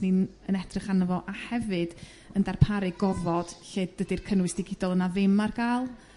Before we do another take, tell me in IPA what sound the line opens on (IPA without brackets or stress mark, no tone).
n